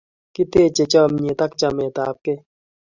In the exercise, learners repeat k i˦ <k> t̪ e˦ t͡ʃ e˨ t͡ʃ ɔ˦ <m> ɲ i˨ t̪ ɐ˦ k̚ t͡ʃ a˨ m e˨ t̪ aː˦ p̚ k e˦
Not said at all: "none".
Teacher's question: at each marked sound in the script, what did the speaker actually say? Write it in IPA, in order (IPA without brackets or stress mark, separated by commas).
none, m